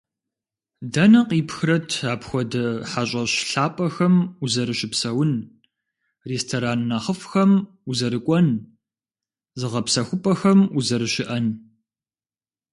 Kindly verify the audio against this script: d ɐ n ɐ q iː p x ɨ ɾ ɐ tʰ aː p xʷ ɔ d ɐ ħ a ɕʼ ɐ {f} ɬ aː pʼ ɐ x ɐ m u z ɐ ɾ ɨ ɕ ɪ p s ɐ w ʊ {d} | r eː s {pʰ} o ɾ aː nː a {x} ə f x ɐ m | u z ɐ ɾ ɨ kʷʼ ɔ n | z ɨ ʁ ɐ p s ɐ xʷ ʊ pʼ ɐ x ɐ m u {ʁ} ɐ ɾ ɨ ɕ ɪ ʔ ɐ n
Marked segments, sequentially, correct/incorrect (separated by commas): incorrect, incorrect, incorrect, incorrect, incorrect